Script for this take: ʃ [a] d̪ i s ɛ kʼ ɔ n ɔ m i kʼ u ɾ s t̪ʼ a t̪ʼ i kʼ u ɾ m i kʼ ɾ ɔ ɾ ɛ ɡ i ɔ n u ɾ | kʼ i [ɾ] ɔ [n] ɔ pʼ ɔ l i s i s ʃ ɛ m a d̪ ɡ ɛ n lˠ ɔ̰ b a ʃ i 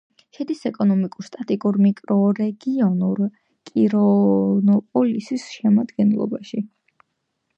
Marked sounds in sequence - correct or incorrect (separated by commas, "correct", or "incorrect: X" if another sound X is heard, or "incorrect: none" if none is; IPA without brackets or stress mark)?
incorrect: ɛ, correct, correct